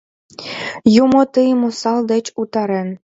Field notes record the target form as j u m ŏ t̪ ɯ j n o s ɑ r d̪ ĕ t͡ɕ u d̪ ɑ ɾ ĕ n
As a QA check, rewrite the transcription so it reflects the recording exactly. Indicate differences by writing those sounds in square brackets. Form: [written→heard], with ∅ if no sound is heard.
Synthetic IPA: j u m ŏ t̪ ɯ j [n→m] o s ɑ [r→l] d̪ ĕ t͡ɕ u [d̪→t̪] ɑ ɾ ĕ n